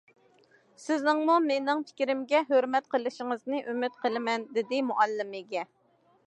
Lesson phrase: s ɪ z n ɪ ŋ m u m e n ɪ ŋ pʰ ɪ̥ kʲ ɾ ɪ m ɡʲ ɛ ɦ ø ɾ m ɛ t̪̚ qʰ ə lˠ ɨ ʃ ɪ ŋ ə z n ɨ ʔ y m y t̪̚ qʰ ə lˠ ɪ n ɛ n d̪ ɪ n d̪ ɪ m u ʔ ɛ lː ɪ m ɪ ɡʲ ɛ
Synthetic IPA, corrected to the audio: s ɪ z n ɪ ŋ m u m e n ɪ ŋ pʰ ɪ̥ kʲ ɾ ɪ m ɡʲ ɛ ɦ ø ɾ m ɛ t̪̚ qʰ ə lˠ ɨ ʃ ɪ ŋ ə z n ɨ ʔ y m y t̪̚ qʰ ə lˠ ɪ m ɛ n d̪ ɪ d̪ ɪ m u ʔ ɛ lː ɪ m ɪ ɡʲ ɛ